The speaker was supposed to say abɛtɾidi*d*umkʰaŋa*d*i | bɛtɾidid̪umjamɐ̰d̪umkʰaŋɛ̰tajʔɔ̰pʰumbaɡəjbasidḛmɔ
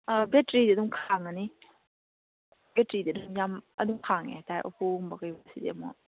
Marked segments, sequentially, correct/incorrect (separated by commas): correct, incorrect